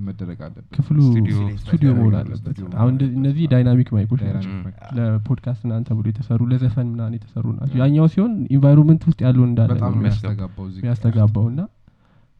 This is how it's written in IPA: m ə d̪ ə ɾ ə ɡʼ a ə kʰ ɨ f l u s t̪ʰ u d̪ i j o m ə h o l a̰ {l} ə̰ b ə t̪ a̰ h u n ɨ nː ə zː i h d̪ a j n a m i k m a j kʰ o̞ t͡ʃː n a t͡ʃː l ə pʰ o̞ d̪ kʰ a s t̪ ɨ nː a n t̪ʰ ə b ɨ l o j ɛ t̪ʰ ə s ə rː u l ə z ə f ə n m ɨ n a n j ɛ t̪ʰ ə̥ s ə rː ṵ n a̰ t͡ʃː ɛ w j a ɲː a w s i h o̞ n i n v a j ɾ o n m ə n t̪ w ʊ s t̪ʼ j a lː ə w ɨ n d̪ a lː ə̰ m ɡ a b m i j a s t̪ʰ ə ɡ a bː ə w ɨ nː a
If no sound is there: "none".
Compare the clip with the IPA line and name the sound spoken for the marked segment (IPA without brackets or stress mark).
lː